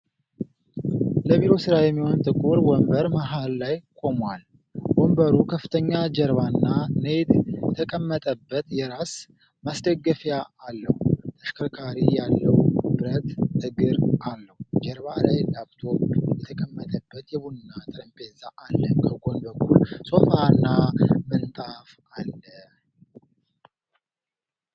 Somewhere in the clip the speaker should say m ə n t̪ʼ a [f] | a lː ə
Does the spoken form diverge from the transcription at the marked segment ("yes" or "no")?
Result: no